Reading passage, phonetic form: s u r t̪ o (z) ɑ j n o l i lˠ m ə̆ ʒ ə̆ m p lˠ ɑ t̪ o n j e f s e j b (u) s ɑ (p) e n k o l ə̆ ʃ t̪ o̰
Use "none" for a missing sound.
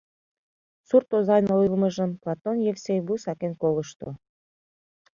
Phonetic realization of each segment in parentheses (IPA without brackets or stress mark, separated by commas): z, u, k